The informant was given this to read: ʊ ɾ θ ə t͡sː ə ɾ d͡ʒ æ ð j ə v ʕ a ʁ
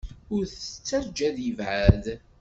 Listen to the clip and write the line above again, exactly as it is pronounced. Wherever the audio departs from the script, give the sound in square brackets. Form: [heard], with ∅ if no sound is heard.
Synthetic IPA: ʊ ɾ θ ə t͡sː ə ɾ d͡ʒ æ ð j ə v ʕ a [ð]

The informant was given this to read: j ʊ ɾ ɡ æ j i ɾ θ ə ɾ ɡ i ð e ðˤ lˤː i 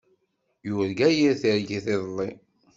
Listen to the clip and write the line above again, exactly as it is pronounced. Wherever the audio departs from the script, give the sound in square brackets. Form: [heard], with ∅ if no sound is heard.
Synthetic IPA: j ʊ ɾ ɡ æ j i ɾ θ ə ɾ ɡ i [θ] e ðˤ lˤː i

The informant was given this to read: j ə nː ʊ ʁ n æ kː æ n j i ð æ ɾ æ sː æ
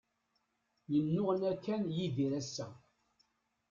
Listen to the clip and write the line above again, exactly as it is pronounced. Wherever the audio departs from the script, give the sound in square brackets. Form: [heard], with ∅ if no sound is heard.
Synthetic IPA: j ə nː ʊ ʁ n æ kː æ n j i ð [i] ɾ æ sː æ

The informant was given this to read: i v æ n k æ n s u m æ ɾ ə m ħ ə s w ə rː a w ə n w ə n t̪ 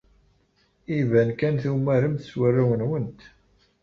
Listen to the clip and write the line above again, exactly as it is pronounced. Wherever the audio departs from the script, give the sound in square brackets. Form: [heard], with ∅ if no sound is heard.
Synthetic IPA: i v æ n k æ n [θ] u m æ ɾ ə m [θ] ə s w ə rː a w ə n w ə n t̪

